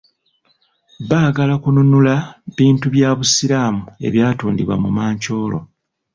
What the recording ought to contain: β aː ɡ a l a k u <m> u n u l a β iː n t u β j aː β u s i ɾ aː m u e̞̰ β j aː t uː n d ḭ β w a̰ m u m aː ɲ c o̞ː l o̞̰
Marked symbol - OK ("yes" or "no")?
no